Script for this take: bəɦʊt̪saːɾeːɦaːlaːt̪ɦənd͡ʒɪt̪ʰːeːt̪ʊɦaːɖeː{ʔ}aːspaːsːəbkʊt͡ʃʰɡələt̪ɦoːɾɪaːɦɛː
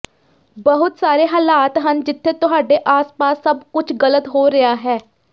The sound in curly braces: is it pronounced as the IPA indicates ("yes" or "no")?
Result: yes